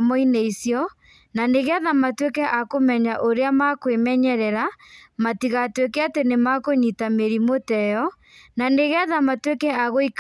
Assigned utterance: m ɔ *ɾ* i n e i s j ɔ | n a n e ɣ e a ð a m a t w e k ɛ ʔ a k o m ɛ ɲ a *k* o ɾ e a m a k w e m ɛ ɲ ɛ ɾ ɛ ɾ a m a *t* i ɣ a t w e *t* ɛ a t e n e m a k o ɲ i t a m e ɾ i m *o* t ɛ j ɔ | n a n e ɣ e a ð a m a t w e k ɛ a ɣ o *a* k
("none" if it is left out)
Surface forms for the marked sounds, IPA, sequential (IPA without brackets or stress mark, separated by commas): none, ʔ, t, k, o, i